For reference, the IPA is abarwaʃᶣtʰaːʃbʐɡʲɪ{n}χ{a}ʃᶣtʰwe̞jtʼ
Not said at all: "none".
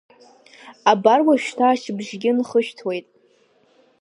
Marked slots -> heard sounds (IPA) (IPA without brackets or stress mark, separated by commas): n, ə